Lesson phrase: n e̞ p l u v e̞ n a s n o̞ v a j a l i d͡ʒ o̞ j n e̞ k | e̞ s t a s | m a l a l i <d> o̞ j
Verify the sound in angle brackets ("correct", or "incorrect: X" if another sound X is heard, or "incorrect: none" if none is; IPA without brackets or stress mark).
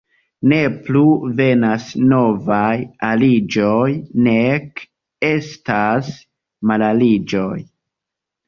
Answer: incorrect: d͡ʒ